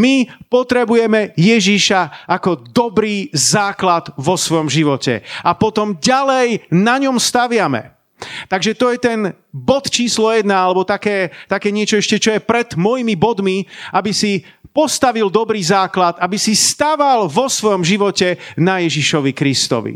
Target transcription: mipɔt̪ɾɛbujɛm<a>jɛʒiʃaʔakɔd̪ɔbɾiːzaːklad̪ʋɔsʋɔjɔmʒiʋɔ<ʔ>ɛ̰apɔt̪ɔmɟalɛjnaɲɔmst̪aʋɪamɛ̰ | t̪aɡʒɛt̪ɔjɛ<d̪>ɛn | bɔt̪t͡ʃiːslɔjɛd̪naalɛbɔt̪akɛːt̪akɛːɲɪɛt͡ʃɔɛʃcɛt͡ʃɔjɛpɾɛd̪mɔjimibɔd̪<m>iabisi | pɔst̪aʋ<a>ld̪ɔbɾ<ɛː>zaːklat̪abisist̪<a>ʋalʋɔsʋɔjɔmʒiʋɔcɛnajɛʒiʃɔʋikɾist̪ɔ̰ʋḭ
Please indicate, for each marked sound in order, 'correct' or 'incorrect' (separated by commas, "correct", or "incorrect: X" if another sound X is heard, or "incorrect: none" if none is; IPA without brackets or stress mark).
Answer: incorrect: ɛ, incorrect: c, incorrect: t̪, correct, incorrect: i, incorrect: iː, correct